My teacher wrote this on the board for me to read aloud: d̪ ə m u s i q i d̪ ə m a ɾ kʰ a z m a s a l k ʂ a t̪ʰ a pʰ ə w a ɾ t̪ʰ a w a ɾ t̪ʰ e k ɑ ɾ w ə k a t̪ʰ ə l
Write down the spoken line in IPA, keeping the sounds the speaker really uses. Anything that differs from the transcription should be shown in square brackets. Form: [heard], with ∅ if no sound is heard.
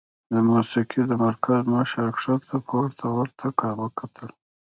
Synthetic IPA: d̪ ə m u s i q i d̪ ə m a ɾ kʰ a z m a [ʃ] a [ɾ] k ʂ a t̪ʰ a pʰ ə w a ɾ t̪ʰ a w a ɾ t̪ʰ [a] k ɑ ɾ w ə k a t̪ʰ ə l